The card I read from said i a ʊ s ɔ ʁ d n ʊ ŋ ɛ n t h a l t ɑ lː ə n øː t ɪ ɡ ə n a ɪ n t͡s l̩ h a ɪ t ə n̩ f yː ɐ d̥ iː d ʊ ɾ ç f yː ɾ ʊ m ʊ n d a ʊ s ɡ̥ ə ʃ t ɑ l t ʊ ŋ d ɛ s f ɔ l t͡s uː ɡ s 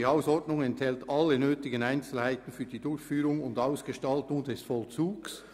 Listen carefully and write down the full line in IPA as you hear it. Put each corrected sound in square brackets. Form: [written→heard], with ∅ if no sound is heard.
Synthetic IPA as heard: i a ʊ s ɔ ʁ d n ʊ ŋ ɛ n t h [a→ɛ] l t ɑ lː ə n øː t ɪ ɡ ə n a ɪ n t͡s l̩ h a ɪ t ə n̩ f yː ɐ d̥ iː d ʊ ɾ ç f yː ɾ ʊ [m→ŋ] ʊ n d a ʊ s ɡ̥ ə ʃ t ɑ l t ʊ ŋ d ɛ s f ɔ l t͡s uː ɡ s